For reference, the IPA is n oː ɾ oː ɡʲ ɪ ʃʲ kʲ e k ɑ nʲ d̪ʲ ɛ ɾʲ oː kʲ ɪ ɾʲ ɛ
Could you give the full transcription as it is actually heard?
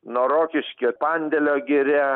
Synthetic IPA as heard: n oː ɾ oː kʲ ɪ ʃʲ kʲ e p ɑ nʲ d̪ʲ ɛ lʲ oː ɡʲ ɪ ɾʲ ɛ